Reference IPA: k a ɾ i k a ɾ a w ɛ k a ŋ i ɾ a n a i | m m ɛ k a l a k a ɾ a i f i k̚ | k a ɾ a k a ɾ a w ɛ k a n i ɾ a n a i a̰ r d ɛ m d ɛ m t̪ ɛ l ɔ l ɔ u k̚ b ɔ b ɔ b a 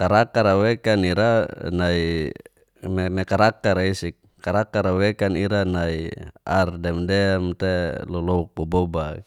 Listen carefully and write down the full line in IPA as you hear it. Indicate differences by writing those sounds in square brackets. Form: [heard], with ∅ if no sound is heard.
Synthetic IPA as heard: k a ɾ [a] k a ɾ a w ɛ k a [n] i ɾ a n a i | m m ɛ k a [ɾ] a k a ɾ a i [s] i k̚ | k a ɾ a k a ɾ a w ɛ k a n i ɾ a n a i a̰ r d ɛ m d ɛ m t̪ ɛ l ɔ l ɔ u k̚ b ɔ b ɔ b a